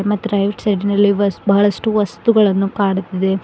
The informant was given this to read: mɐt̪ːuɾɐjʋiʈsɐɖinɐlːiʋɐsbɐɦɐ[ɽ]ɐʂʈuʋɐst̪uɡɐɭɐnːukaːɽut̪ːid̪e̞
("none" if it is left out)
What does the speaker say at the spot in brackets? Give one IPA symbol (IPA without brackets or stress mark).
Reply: ɭ